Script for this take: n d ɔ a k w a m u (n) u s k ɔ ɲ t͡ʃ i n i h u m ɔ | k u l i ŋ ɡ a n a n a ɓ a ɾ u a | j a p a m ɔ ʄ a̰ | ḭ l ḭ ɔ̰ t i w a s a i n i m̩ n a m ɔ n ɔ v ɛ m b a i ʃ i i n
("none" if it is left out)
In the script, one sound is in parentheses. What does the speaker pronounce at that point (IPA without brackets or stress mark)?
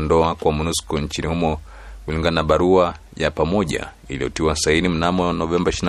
n